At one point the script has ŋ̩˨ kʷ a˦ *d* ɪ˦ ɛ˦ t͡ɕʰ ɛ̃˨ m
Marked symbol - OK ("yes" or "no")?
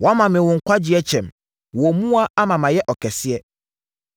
no